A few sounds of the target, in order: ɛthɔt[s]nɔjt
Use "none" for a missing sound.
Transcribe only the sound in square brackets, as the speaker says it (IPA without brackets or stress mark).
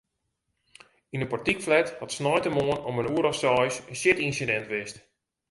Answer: s